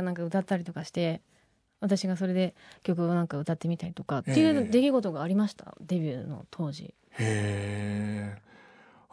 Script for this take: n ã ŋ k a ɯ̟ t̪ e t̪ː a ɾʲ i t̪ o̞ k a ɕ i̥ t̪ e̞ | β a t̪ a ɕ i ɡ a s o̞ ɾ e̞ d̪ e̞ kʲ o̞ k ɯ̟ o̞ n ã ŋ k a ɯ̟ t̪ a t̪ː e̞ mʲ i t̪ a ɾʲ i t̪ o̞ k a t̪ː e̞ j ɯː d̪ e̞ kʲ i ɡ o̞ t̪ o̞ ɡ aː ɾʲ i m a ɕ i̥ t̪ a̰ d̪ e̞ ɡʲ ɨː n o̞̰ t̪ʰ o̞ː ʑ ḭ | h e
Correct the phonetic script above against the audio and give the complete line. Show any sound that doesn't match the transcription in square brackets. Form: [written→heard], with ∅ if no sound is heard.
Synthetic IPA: n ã ŋ k a ɯ̟ t̪ [e→a] t̪ː a ɾʲ i t̪ o̞ k a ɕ i̥ t̪ e̞ | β a t̪ a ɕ i ɡ a s o̞ ɾ e̞ d̪ e̞ kʲ o̞ k ɯ̟ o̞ n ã ŋ k a ɯ̟ t̪ a t̪ː e̞ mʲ i t̪ a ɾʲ i t̪ o̞ k a t̪ː e̞ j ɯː d̪ e̞ kʲ i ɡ o̞ t̪ o̞ ɡ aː ɾʲ i m a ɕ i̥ t̪ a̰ d̪ e̞ [ɡʲ→bʲ] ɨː n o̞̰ t̪ʰ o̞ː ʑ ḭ | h e